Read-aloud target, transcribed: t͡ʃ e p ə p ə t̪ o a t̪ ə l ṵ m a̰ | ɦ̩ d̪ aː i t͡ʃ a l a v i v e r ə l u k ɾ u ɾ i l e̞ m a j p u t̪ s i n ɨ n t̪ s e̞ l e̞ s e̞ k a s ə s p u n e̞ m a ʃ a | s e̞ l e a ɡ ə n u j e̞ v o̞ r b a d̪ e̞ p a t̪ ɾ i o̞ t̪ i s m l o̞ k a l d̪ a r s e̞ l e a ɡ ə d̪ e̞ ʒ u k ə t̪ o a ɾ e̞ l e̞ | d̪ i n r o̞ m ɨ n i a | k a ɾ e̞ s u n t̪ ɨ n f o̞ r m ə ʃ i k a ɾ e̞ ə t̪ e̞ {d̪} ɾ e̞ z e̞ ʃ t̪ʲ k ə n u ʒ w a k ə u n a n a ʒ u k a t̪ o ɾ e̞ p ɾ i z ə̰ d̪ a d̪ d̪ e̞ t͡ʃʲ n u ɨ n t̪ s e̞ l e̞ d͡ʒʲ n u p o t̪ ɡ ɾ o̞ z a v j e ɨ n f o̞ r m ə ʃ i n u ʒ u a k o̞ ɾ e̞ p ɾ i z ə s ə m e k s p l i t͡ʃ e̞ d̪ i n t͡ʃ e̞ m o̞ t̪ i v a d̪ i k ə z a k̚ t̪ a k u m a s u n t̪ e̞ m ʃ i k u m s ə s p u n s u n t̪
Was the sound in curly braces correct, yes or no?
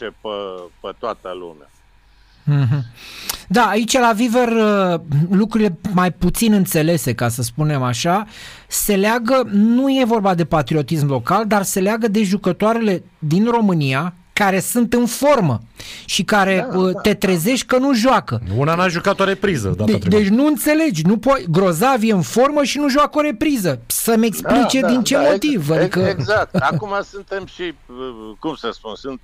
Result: no